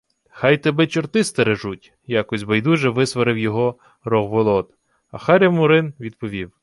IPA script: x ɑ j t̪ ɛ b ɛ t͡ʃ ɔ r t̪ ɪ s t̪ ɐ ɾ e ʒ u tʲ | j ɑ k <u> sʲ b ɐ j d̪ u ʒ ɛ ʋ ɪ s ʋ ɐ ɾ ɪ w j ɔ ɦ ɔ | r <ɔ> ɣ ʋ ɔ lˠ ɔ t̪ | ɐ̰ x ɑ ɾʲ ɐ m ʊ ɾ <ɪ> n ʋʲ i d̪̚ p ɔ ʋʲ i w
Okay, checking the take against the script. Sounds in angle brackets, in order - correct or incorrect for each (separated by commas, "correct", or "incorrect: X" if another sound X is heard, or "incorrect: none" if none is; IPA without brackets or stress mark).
incorrect: ɔ, correct, correct